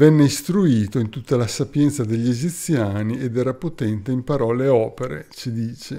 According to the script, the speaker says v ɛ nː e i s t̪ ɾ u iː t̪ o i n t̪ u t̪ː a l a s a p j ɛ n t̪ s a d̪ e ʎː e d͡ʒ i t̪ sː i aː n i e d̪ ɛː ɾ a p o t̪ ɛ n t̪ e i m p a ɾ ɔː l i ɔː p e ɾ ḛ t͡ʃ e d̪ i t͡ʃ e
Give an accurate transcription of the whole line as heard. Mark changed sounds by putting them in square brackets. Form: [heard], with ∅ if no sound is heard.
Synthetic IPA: v ɛ nː e i s t̪ ɾ u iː t̪ o i n t̪ u t̪ː a l a s a p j ɛ n t̪ s a d̪ e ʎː e d͡ʒ i t̪ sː [j] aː n i e d̪ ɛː ɾ a p o t̪ ɛ n t̪ e i m p a ɾ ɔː l [e] ɔː p e ɾ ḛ t͡ʃ [i] d̪ [iː] t͡ʃ e